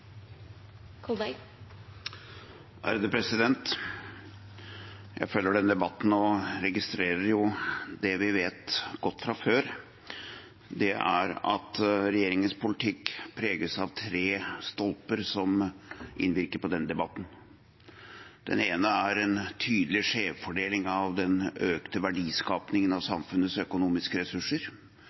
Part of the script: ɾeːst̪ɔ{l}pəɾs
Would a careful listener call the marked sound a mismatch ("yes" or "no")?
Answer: no